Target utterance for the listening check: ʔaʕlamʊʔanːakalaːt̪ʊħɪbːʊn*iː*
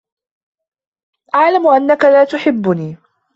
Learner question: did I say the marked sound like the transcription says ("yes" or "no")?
yes